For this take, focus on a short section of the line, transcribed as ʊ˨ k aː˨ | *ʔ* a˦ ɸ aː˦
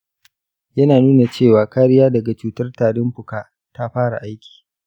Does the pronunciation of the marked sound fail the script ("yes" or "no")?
yes